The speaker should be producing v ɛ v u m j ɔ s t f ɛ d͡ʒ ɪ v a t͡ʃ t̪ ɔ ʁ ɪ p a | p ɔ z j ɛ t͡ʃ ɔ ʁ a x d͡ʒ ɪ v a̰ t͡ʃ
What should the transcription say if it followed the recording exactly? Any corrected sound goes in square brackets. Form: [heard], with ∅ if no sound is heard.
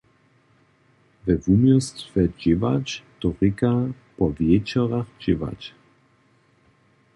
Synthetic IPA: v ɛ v u m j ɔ s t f ɛ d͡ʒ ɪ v a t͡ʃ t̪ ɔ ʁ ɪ [k] a | p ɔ [v] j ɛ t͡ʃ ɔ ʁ a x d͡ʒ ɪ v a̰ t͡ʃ